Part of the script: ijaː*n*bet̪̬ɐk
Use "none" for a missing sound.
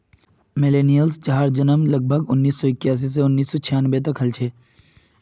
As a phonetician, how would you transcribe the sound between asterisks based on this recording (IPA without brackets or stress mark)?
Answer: n